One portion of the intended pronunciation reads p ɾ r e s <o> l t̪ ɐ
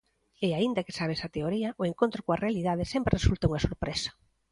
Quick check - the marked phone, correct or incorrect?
incorrect: u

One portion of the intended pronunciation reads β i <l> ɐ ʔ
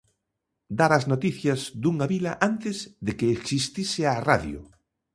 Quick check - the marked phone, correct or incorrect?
correct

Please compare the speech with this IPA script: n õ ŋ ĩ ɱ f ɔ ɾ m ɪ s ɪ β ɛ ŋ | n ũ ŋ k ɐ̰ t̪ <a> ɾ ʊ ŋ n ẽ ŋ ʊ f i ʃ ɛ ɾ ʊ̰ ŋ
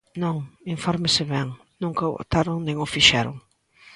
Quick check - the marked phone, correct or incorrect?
correct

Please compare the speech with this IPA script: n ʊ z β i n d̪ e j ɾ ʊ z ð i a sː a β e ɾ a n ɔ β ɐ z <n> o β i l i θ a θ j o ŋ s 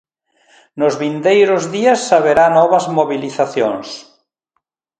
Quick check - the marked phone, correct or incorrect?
incorrect: m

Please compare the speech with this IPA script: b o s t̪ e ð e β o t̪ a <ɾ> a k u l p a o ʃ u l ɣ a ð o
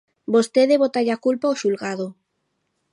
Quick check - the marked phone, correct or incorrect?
incorrect: ʎ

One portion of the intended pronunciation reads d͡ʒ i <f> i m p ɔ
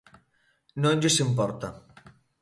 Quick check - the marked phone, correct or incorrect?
incorrect: s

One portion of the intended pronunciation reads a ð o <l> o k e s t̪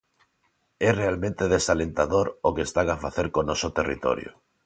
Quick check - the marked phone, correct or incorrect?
incorrect: ɾ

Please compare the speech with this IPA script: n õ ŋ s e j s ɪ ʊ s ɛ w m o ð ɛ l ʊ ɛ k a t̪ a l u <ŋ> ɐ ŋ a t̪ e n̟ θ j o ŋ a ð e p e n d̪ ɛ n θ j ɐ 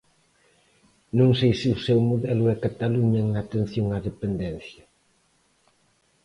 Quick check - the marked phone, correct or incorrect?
incorrect: ɲ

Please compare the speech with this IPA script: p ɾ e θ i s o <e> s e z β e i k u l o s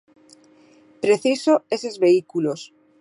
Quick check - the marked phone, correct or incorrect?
correct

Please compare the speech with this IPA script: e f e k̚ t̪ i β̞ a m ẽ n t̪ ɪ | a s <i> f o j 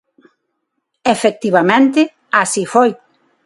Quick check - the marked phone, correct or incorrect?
correct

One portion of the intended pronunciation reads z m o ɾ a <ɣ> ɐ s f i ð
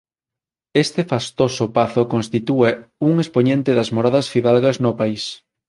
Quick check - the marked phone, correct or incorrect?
incorrect: ð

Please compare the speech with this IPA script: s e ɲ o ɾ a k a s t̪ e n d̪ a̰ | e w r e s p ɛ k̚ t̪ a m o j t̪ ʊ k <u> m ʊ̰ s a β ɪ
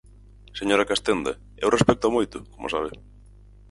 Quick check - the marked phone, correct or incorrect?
incorrect: o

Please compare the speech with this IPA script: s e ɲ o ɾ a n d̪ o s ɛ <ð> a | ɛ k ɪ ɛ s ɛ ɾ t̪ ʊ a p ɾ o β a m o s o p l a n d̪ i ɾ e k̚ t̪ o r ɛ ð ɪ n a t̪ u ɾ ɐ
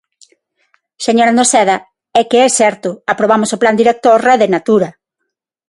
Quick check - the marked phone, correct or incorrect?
correct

